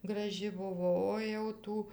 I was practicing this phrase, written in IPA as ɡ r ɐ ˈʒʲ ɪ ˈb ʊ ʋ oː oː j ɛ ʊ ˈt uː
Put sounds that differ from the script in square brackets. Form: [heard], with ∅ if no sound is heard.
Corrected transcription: ɡ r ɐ ˈʒʲ ɪ ˈb ʊ ʋ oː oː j ɛ ʊ ˈt uː